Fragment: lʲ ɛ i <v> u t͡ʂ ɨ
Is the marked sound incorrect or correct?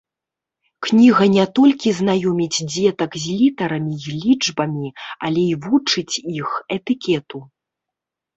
correct